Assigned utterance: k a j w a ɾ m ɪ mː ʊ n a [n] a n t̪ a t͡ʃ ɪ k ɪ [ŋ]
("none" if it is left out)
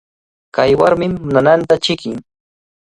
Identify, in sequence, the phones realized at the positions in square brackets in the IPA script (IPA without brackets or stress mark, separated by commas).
n, ŋ